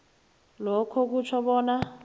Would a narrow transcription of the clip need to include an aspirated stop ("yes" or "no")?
yes